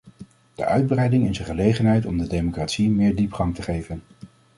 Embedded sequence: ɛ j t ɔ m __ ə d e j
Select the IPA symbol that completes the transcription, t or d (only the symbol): d